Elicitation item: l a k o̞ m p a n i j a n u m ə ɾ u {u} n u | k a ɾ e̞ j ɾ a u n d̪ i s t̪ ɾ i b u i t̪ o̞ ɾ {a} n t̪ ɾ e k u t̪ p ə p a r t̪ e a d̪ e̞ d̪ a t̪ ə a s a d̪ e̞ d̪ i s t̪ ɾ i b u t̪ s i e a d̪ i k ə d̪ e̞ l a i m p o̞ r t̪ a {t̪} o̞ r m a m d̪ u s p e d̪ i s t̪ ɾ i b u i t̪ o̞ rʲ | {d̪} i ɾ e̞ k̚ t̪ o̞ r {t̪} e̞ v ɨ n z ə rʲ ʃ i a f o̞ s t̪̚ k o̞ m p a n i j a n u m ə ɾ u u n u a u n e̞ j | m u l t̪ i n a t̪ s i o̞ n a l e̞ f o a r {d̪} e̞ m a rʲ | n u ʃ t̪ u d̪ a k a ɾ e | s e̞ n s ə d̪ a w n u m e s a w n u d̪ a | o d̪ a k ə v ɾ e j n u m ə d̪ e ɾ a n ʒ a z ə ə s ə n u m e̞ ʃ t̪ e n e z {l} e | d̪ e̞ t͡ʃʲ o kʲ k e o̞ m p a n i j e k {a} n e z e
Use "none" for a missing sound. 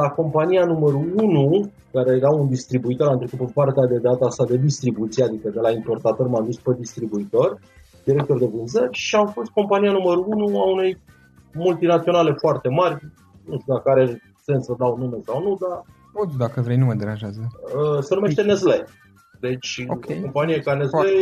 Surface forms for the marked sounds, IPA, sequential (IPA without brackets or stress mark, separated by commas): u, a, t̪, d̪, d̪, t̪, l, a